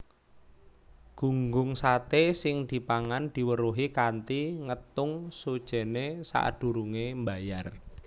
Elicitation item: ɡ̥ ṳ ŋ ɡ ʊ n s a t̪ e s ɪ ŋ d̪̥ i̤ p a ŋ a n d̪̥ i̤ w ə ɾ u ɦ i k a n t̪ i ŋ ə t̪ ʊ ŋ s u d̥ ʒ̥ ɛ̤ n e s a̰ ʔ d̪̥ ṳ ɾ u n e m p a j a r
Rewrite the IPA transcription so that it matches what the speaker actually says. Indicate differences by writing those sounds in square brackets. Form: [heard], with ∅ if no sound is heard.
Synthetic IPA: ɡ̥ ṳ ŋ ɡ ʊ [ŋ] s a t̪ e s ɪ ŋ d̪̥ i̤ p a ŋ a n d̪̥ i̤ w ə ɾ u ɦ i k a n t̪ i ŋ ə t̪ ʊ ŋ s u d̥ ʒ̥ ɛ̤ n e s a̰ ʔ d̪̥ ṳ ɾ u [ŋ] e m [b] a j a r